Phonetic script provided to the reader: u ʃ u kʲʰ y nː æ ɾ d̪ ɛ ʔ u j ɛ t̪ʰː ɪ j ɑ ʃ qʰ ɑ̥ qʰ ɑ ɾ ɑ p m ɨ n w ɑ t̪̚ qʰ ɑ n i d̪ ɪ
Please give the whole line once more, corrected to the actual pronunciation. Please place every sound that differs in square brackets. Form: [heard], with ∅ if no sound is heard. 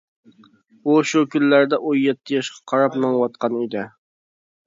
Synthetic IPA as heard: u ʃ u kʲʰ y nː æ ɾ d̪ ɛ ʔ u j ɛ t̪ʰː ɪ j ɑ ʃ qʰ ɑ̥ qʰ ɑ ɾ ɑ p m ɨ [ŋ] w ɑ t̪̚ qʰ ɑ n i d̪ ɪ